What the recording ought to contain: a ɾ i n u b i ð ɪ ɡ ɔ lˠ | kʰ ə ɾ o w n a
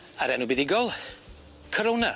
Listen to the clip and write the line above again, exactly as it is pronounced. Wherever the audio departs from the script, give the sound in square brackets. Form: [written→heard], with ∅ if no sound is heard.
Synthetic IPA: a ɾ [i→ɛ] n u b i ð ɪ ɡ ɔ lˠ | kʰ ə ɾ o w n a